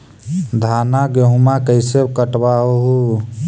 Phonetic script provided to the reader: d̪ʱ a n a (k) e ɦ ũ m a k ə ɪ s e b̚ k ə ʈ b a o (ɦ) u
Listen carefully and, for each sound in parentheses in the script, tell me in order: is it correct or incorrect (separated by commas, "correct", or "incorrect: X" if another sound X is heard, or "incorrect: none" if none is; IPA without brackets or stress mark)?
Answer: incorrect: ɡ, correct